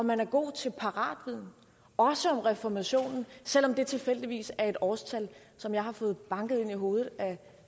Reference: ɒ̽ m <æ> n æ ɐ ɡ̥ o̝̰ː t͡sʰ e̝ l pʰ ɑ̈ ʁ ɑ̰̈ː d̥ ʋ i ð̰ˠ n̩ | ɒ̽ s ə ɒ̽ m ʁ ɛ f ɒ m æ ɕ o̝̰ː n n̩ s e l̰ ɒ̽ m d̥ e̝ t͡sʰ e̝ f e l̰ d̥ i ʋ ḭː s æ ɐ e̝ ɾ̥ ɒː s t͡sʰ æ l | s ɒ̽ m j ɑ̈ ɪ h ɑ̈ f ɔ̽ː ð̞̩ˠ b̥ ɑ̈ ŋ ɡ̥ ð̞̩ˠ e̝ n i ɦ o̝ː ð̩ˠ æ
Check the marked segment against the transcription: correct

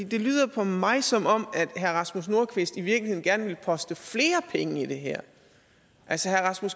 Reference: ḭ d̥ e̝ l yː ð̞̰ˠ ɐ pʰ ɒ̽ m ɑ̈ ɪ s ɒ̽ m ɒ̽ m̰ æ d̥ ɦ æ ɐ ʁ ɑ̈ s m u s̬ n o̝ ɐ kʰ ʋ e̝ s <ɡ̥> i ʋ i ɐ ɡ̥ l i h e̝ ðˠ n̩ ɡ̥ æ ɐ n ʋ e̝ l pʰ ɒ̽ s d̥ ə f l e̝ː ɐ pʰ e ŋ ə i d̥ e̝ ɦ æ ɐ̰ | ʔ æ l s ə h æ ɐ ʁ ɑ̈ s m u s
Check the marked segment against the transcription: incorrect: d̥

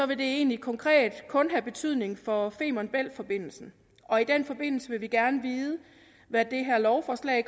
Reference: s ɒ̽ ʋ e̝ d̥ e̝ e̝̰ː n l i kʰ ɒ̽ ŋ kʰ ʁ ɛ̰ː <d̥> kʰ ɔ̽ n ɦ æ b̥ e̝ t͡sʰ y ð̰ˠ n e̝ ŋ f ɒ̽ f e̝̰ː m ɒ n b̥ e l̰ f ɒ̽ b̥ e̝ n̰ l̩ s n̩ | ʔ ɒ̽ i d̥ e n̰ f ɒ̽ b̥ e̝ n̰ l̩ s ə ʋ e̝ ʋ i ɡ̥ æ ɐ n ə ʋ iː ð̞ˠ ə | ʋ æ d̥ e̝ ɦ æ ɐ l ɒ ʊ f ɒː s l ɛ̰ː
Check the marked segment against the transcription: correct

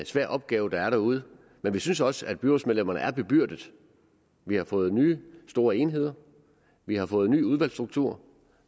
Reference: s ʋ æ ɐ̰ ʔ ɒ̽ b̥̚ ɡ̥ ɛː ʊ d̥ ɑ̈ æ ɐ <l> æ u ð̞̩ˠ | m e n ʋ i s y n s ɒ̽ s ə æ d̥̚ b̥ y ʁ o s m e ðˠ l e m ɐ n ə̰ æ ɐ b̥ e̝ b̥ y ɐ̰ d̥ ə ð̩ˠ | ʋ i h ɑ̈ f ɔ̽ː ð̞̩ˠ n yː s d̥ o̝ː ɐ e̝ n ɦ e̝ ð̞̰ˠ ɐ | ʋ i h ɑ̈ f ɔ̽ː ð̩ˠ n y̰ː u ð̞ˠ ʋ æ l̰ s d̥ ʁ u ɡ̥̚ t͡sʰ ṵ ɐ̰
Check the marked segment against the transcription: incorrect: ɾ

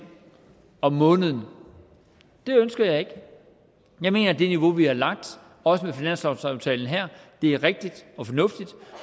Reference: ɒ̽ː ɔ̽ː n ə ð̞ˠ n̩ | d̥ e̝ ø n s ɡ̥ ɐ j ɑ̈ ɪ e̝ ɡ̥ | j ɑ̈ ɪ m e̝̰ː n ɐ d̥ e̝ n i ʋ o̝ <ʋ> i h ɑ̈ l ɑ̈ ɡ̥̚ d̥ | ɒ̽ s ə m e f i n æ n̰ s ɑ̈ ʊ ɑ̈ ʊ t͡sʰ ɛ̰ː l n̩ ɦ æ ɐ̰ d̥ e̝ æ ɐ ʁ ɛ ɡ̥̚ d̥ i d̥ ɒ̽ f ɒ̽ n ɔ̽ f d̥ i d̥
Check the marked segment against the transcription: correct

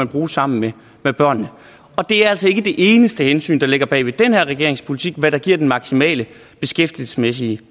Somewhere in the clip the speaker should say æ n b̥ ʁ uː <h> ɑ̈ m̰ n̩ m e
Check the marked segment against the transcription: incorrect: s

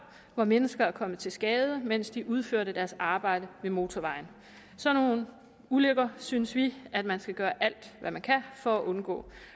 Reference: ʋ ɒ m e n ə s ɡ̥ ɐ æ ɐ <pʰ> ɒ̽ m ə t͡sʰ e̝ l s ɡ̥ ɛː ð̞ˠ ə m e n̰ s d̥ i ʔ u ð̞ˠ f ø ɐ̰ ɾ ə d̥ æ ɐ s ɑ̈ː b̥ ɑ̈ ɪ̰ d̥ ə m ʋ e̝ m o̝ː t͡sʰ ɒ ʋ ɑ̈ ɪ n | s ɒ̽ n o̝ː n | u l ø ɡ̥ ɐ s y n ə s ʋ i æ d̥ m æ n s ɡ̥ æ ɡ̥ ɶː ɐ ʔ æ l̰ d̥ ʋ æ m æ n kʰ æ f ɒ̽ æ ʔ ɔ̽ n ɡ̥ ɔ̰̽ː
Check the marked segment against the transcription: incorrect: kʰ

